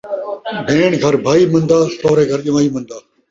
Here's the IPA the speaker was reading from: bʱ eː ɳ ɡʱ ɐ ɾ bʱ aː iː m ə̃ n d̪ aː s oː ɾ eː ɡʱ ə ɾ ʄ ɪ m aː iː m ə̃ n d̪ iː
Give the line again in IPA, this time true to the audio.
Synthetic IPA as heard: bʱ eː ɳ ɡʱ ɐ ɾ bʱ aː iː m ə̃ n d̪ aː s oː ɾ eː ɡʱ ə ɾ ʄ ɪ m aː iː m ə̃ n d̪ aː